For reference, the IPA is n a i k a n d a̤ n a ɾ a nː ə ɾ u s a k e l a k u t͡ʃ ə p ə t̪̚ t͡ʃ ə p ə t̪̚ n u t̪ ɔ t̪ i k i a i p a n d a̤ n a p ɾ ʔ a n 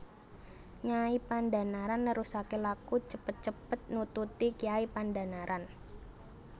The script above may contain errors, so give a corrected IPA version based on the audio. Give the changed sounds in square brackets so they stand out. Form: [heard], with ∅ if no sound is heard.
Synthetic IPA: [ɲ] a i [p] a n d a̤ n a ɾ a nː ə ɾ u s a k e l a k u t͡ʃ ə p ə t̪̚ t͡ʃ ə p ə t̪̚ n u t̪ [u] t̪ i k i a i p a n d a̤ n a [∅] ɾ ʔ a n